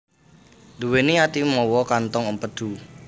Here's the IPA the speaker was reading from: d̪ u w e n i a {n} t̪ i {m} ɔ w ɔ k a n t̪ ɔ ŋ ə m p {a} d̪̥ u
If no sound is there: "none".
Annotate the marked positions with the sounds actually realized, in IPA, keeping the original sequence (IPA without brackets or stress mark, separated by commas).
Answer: none, m, ə